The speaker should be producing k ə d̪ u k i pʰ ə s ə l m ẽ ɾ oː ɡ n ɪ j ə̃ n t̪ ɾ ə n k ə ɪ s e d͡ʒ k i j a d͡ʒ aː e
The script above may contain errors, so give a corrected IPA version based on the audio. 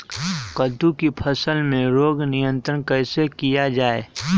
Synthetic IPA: k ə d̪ u k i pʰ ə s ə l m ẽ ɾ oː ɡ n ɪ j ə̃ n t̪ ɾ ə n k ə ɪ s e k i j a d͡ʒ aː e

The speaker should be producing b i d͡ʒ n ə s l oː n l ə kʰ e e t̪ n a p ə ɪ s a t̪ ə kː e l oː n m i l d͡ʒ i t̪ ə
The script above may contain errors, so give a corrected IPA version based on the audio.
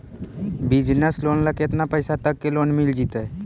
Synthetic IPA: b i d͡ʒ n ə s l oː n l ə k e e t̪ n a p ə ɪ s a t̪ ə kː e l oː n m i l d͡ʒ i t̪ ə

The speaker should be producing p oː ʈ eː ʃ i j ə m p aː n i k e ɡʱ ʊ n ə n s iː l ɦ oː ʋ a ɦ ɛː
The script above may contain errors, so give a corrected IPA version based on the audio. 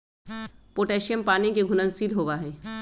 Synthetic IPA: p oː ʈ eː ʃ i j ə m p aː n i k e ɡʱ ʊ n ə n s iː l ɦ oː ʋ a ɦ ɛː

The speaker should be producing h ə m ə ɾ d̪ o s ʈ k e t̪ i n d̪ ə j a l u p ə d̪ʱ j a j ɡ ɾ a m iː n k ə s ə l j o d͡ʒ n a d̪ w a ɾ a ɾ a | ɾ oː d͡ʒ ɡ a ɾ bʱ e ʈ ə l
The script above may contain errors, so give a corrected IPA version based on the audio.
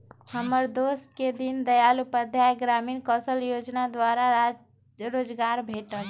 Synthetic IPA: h ə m ə ɾ d̪ o s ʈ k e d̪ i n d̪ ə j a l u p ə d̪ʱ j a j ɡ ɾ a m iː n k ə s ə l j o d͡ʒ n a d̪ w a ɾ a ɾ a | ɾ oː d͡ʒ ɡ a ɾ bʱ e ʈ ə l

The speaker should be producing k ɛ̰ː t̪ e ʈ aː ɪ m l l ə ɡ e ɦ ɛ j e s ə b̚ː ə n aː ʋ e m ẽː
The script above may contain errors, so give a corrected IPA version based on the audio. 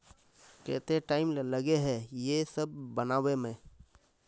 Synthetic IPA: k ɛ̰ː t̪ e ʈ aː ɪ m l l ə ɡ e ɦ ɛ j e s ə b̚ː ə n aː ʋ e m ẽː

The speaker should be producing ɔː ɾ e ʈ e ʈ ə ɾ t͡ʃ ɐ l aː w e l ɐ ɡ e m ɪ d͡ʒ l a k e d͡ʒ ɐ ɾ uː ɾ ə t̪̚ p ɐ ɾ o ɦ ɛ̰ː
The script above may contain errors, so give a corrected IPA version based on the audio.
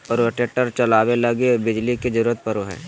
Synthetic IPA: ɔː ɾ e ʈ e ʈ ə ɾ t͡ʃ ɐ l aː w e l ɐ ɡ e b ɪ d͡ʒ l i k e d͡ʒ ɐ ɾ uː ɾ ə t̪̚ p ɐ ɾ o ɦ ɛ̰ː

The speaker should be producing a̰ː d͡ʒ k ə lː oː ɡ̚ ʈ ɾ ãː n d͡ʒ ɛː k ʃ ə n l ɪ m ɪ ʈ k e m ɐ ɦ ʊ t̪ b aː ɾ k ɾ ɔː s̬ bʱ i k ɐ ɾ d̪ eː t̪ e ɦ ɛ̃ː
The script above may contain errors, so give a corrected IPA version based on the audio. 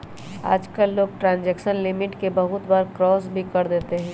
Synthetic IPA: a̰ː d͡ʒ k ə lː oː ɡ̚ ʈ ɾ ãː n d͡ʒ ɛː k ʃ ə n l ɪ m ɪ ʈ k e b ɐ ɦ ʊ t̪ b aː ɾ k ɾ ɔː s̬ bʱ i k ɐ ɾ d̪ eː t̪ e ɦ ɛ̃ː

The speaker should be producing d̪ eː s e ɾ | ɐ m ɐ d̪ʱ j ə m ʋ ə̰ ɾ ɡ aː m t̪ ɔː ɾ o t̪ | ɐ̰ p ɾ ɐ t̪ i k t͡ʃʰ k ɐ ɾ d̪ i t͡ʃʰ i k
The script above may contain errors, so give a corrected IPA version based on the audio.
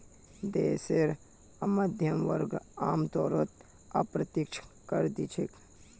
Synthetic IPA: d̪ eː s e ɾ | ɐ m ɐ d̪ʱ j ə m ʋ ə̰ ɾ ɡ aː m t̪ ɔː ɾ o t̪ | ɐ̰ p ɾ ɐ t̪ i k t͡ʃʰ k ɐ ɾ d̪ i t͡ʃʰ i k

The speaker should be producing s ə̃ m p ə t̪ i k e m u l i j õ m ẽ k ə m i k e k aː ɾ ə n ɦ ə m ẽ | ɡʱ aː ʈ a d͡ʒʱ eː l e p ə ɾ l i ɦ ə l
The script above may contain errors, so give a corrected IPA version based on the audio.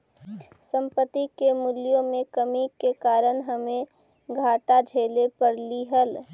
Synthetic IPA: s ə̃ m p ə t̪ i k e m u l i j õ m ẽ k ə m i k e k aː ɾ ə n ɦ ə m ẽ | ɡʱ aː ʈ a d͡ʒʱ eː l e p ə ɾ l i ɦ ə l

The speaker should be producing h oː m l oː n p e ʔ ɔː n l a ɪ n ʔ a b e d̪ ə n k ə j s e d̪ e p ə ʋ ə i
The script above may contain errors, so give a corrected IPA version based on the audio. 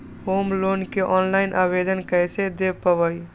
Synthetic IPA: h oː m l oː n k e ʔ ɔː n l a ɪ n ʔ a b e d̪ ə n k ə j s e d̪ e p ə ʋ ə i

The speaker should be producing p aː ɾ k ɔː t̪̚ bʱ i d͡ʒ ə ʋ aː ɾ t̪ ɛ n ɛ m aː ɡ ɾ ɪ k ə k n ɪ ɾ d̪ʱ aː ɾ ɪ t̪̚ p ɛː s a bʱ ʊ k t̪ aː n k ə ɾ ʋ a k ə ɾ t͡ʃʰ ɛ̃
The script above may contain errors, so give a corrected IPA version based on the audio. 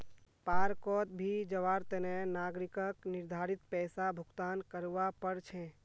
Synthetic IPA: p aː ɾ k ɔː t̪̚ bʱ i d͡ʒ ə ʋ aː ɾ t̪ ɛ n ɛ n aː ɡ ɾ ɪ k ə k n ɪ ɾ d̪ʱ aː ɾ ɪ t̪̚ p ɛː s a bʱ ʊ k t̪ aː n k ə ɾ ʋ a p ə ɾ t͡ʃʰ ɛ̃

